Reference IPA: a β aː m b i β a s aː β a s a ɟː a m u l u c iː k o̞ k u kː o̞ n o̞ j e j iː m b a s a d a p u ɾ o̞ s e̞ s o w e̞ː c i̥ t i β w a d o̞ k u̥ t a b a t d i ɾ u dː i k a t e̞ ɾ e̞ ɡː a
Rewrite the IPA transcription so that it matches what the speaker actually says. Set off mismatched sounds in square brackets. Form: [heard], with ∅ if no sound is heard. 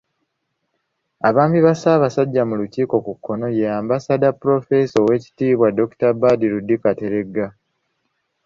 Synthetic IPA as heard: a β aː m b i β a s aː β a s a ɟː a m u l u c iː k o̞ k u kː o̞ n o̞ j e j [aː] m b a s a d a p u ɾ o̞ [f] e̞ s o w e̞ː c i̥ t [iː] β w a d o̞ k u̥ t a b a [∅] d i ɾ u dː i k a t e̞ ɾ e̞ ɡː a